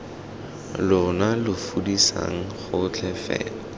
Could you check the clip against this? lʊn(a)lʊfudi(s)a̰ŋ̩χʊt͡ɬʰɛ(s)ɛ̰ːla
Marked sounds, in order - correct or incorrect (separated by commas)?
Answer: correct, correct, incorrect